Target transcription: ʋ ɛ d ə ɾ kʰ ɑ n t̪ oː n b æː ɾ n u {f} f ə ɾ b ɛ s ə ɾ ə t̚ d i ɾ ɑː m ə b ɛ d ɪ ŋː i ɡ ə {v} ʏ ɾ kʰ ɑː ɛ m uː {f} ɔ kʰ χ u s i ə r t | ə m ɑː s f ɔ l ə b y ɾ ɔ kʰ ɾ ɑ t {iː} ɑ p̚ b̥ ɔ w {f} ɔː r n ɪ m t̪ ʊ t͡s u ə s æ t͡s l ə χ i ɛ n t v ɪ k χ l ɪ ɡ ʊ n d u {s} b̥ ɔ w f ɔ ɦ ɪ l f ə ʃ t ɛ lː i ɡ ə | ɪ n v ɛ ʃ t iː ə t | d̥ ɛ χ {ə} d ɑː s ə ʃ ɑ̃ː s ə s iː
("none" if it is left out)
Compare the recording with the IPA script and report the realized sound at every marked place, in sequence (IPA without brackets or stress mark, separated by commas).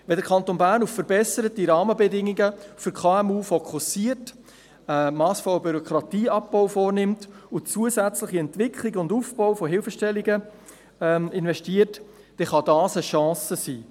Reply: f, f, f, iː, f, f, ɑ